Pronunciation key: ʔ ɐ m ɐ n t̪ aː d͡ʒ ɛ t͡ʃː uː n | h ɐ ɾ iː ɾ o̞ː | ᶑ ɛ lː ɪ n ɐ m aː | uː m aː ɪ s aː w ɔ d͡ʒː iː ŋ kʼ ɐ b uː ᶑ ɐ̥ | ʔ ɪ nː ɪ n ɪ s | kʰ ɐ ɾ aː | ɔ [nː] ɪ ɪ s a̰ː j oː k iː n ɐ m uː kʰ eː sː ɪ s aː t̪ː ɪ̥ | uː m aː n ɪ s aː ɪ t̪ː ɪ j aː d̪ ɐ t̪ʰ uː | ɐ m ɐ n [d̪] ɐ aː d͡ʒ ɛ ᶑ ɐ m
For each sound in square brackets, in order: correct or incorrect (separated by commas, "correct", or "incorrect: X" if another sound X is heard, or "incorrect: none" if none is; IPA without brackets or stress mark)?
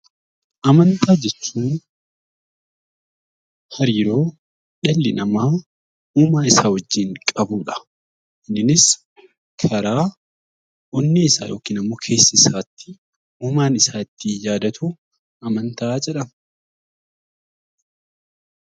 correct, incorrect: t̪